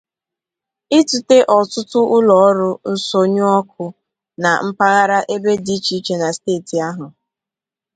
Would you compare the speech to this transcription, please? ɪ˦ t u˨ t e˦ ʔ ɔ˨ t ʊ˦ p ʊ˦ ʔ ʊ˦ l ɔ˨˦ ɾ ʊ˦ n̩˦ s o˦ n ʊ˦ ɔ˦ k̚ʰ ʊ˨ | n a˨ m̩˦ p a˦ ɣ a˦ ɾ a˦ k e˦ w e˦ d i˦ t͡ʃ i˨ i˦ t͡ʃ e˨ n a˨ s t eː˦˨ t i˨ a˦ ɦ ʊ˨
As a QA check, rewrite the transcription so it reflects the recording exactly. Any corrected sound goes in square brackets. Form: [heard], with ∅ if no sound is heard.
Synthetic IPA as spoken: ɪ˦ t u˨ t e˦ ʔ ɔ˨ t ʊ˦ [t] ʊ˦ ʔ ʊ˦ l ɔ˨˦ ɾ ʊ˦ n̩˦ s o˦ [ɲ] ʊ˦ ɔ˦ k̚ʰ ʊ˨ | n a˨ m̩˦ p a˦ ɣ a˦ ɾ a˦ [ʔ] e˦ [b] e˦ d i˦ t͡ʃ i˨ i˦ t͡ʃ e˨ n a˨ s t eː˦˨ t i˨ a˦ ɦ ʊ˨